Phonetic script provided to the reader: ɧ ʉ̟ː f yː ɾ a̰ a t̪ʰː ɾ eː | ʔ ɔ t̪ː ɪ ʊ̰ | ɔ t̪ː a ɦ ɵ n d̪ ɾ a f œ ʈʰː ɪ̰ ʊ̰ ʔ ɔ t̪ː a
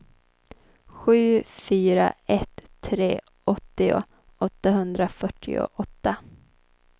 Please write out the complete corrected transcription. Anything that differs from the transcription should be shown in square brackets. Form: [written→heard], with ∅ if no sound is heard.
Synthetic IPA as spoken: ɧ ʉ̟ː f yː ɾ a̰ [a→ɛ] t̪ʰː ɾ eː | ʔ ɔ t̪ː ɪ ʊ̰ | ɔ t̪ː a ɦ ɵ n d̪ ɾ a f œ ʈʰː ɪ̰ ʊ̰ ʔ ɔ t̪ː a

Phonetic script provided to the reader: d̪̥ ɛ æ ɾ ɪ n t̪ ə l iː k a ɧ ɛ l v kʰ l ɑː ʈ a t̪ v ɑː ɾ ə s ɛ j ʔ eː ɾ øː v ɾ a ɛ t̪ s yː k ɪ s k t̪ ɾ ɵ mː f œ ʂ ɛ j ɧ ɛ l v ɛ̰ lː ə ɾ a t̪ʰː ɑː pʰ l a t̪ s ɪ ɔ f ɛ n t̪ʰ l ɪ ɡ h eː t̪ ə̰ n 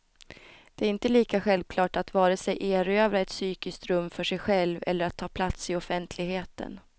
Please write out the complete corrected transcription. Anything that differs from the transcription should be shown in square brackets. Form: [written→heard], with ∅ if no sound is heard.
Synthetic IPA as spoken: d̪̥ ɛ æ ɾ ɪ n t̪ ə l iː k a ɧ ɛ l v kʰ l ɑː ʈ a t̪ v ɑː ɾ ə s ɛ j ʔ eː ɾ øː v ɾ a ɛ t̪ s yː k ɪ s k t̪ ɾ ɵ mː f œ ʂ ɛ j ɧ ɛ l v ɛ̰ lː ə ɾ a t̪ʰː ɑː pʰ l a t̪ s ɪ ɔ f ɛ n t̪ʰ l ɪ ɡ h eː t̪ ə̰ n

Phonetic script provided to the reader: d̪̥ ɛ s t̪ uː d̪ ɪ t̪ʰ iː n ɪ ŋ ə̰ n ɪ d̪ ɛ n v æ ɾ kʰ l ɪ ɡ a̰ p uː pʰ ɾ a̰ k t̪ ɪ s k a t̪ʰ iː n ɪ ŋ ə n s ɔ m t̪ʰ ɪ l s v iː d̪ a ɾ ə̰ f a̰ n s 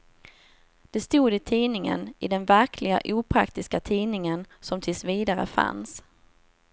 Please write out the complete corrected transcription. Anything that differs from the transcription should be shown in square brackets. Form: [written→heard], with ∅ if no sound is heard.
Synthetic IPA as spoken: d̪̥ ɛ s t̪ uː d̪ ɪ t̪ʰ iː n ɪ ŋ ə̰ n ɪ d̪ ɛ n v æ ɾ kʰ l ɪ ɡ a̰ [p→ʔ] uː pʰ ɾ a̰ k t̪ ɪ s k a t̪ʰ iː n ɪ ŋ ə n s ɔ m t̪ʰ ɪ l s v iː d̪ a ɾ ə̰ f a̰ n s

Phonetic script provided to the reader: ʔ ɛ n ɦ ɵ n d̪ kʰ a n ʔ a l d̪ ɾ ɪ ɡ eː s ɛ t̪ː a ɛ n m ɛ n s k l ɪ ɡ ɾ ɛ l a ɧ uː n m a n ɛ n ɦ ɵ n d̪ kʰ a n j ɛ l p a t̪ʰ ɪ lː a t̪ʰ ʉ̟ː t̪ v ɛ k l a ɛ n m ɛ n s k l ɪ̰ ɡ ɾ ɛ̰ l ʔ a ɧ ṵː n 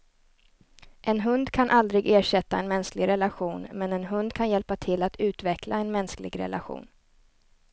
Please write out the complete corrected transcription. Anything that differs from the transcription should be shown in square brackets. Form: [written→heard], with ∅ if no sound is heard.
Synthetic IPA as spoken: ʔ ɛ n ɦ ɵ n d̪ kʰ a n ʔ a l d̪ ɾ ɪ ɡ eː [s→ʂ] ɛ t̪ː a ɛ n m ɛ n s k l ɪ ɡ ɾ ɛ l a ɧ uː n m [a→ɛ] n ɛ n ɦ ɵ n d̪ kʰ a n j ɛ l p a t̪ʰ ɪ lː a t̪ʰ ʉ̟ː t̪ v ɛ k l a ɛ n m ɛ n s k l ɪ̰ ɡ ɾ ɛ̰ l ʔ a ɧ ṵː n

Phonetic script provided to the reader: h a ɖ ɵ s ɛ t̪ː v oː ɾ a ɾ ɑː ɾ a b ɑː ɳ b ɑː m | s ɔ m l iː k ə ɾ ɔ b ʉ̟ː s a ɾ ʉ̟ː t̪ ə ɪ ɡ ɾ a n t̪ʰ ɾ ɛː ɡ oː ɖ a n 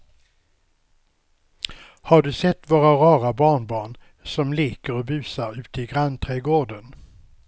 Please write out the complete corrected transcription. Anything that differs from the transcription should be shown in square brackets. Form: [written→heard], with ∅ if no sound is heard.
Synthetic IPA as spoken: h a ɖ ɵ s ɛ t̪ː v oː ɾ a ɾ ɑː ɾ a b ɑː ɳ b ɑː [m→ɳ] | s ɔ m l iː k ə ɾ ɔ b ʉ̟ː s a ɾ ʉ̟ː t̪ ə ɪ ɡ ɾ a n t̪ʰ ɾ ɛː ɡ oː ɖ [a→ə] n

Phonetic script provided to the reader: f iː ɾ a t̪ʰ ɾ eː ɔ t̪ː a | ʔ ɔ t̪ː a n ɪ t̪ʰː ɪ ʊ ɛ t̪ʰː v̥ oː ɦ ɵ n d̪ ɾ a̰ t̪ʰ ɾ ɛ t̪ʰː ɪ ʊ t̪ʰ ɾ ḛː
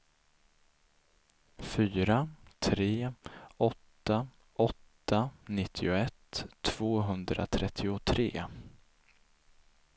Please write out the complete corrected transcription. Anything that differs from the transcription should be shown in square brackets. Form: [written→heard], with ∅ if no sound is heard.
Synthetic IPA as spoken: f [iː→yː] ɾ a t̪ʰ ɾ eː ɔ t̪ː a | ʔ ɔ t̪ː a n ɪ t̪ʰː ɪ ʊ ɛ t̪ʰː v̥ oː ɦ ɵ n d̪ ɾ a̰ t̪ʰ ɾ ɛ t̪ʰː ɪ ʊ t̪ʰ ɾ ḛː

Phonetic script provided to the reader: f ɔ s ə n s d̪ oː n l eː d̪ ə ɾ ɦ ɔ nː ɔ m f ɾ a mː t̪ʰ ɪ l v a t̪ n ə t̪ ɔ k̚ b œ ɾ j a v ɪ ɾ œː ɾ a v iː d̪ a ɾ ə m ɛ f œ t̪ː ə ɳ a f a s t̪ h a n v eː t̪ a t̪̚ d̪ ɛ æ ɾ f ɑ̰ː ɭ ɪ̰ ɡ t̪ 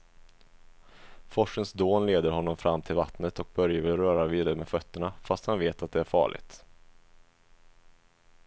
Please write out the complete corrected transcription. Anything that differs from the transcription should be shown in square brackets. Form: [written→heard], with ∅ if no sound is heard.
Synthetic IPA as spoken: f ɔ [s→ʂ] ə n s d̪ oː n l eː d̪ ə ɾ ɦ ɔ nː ɔ m f ɾ a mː t̪ʰ ɪ l v a t̪ n ə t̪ ɔ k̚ b œ ɾ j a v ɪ ɾ œː ɾ a v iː d̪ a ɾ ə m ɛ f œ t̪ː ə ɳ a f a s t̪ h a n v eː t̪ a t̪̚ d̪ ɛ æ ɾ f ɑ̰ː ɭ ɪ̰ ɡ t̪

